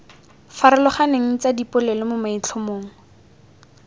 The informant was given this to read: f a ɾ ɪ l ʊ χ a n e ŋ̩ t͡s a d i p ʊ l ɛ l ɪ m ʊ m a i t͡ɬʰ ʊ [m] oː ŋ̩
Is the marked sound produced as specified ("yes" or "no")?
yes